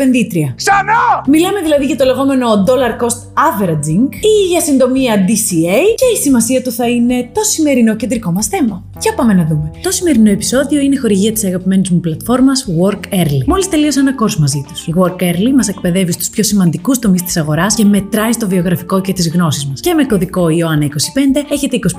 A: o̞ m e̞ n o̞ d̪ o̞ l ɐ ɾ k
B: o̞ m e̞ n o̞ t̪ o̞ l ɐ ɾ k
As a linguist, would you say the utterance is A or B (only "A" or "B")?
A